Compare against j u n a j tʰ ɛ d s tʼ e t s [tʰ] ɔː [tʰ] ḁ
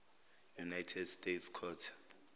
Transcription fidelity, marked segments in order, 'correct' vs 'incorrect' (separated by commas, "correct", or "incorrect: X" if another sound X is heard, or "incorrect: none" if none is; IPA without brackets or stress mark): incorrect: kʰ, correct